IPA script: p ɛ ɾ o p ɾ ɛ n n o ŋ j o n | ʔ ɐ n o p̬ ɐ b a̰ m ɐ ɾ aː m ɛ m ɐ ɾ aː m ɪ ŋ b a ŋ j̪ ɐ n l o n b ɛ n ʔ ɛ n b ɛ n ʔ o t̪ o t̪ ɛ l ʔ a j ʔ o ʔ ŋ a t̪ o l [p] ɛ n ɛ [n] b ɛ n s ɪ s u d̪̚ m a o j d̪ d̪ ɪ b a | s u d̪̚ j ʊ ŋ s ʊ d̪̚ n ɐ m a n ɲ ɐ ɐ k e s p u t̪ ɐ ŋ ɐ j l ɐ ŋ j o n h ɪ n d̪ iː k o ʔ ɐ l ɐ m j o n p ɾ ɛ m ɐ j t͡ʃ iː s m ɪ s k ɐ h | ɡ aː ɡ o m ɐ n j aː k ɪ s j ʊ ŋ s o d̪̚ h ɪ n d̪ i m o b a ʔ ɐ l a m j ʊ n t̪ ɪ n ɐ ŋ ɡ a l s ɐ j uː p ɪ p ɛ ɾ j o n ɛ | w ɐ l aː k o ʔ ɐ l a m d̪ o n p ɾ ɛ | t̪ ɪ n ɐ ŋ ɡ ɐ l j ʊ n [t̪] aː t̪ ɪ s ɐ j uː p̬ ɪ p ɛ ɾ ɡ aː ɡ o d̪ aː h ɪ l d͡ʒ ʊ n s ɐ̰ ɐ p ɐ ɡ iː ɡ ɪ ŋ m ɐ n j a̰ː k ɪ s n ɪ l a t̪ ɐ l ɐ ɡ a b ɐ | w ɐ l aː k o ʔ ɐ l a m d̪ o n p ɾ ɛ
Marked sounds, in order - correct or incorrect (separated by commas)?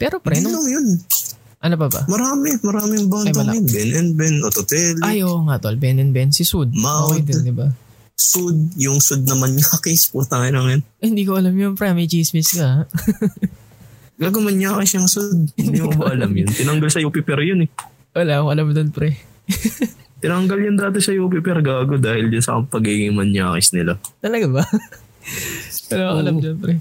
incorrect, correct, incorrect